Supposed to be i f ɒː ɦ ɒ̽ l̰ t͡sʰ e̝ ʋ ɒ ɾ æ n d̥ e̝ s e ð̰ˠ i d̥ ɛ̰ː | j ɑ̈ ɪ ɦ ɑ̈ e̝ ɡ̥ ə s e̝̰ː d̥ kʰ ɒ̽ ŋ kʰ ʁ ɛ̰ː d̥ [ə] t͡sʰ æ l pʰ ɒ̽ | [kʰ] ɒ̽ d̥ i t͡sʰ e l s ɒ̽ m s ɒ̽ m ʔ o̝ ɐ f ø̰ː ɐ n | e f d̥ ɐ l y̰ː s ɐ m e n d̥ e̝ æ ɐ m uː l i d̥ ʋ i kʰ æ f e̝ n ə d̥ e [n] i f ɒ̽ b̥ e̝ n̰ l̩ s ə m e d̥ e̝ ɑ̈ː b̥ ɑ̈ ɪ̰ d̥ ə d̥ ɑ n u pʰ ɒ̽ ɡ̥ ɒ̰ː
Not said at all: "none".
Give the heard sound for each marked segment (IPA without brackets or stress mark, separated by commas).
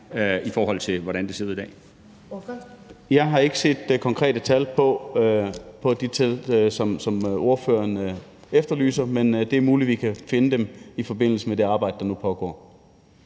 ə, pʰ, m